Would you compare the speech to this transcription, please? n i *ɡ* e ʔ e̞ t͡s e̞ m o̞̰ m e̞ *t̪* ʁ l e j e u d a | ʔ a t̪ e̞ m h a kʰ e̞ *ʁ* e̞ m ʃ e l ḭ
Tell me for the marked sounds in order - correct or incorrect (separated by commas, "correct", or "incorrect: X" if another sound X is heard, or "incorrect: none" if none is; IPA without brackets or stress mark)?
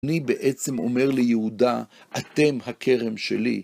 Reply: incorrect: b, incorrect: none, correct